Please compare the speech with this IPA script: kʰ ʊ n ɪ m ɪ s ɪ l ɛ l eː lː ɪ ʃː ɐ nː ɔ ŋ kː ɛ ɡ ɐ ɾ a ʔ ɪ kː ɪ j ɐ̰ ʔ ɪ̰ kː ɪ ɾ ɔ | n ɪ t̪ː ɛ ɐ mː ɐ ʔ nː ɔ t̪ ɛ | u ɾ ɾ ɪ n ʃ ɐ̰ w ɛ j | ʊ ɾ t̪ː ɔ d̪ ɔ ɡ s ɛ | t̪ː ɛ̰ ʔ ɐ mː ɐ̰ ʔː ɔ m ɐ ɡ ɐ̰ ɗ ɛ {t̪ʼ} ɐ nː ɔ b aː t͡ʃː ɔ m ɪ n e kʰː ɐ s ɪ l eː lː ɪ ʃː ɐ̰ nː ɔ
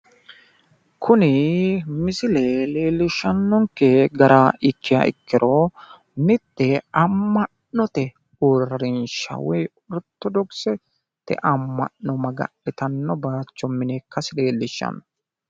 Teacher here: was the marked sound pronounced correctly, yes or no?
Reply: no